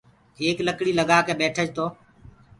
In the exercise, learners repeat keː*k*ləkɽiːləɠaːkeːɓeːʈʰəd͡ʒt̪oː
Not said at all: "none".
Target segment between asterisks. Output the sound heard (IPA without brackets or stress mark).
k